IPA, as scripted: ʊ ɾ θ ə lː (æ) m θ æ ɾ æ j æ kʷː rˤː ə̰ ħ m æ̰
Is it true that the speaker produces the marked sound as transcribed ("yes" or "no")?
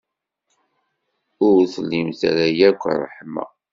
no